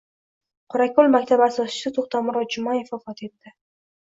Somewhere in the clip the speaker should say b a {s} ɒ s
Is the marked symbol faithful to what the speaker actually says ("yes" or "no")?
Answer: yes